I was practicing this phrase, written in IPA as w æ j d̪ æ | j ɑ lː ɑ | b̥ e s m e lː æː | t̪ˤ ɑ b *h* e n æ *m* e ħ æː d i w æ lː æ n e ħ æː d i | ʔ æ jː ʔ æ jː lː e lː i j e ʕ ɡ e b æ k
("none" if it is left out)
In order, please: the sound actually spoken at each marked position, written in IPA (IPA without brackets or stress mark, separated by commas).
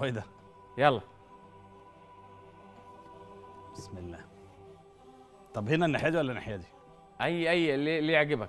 h, n